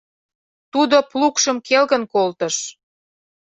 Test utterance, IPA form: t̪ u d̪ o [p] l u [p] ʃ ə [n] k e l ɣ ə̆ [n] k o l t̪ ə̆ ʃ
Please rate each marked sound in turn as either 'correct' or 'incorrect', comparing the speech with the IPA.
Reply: correct, incorrect: k, incorrect: m, correct

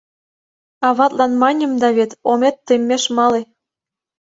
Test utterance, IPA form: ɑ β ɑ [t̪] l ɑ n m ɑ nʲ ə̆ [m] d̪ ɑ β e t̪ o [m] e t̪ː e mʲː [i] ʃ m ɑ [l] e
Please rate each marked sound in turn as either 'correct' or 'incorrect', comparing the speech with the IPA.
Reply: correct, correct, correct, incorrect: e, correct

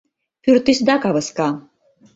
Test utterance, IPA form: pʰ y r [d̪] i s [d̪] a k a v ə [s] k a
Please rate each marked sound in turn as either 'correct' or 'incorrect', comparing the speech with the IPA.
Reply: incorrect: t̪, correct, correct

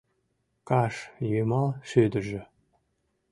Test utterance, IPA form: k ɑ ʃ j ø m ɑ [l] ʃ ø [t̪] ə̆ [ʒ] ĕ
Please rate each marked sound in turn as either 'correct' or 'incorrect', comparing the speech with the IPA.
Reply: correct, incorrect: d̪, correct

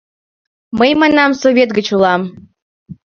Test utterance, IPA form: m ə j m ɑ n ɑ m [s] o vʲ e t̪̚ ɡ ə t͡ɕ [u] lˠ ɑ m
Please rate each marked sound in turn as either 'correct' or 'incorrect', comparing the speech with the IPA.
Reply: correct, correct

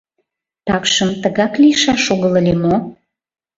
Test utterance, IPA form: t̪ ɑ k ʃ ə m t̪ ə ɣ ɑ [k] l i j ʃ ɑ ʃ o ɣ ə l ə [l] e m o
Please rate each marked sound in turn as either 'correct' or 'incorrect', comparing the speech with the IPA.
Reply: correct, correct

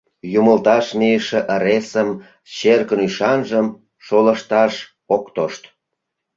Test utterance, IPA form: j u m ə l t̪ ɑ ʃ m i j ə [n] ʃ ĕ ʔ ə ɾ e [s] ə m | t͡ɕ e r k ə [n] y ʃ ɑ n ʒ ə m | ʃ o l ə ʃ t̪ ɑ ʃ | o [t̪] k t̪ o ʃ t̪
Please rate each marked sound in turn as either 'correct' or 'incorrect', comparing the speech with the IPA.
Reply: incorrect: none, correct, correct, incorrect: none

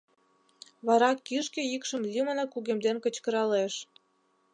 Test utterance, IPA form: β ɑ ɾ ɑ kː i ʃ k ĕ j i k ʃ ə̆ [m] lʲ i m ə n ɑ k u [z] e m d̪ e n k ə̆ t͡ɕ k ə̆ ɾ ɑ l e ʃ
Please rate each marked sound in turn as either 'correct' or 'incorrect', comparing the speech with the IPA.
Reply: correct, incorrect: ɣ

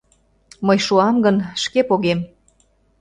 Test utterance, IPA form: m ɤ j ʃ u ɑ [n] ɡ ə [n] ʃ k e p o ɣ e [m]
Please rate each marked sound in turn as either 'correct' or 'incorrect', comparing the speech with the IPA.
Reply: incorrect: m, correct, correct

